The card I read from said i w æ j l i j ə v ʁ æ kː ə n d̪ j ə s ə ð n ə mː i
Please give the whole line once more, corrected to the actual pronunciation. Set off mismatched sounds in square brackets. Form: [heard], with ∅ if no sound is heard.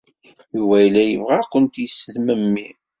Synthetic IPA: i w æ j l [æ] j ə v ʁ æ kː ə n [t̪] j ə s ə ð [m] ə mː i